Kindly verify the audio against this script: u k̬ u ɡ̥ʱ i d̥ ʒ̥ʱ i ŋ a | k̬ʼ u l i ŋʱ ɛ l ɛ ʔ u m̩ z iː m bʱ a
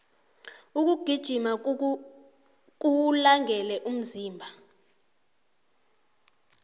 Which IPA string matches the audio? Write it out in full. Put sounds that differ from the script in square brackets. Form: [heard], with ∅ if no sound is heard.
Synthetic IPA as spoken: u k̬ u ɡ̥ʱ i d̥ ʒ̥ʱ i [m] a | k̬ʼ u l [a] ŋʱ ɛ l ɛ ʔ u m̩ z iː m bʱ a